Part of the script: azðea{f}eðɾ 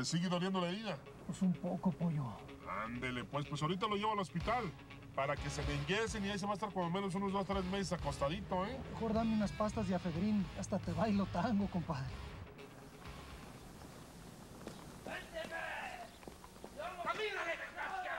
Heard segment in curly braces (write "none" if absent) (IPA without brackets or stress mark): f